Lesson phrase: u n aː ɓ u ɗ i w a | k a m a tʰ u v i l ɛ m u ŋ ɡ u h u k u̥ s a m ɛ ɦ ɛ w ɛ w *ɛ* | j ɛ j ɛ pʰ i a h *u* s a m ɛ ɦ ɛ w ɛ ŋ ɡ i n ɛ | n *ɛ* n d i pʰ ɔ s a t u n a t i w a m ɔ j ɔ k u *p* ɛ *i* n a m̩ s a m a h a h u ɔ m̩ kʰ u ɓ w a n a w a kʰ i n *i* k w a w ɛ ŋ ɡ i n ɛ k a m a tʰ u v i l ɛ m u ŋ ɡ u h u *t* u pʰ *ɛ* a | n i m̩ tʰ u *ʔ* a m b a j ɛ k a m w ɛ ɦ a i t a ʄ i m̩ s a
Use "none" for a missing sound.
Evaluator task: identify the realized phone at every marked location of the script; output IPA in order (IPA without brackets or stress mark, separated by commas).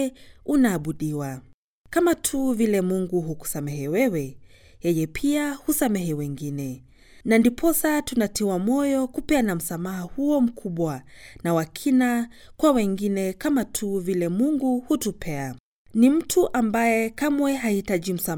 ɛ, u, a, p, a, a, t, ɛ, ʔ